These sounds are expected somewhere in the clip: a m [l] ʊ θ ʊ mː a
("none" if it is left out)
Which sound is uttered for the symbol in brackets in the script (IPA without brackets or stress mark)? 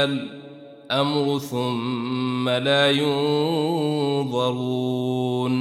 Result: ɾ